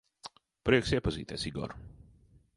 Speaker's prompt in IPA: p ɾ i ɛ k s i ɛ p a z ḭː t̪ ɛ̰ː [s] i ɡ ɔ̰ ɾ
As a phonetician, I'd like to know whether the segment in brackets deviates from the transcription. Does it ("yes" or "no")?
no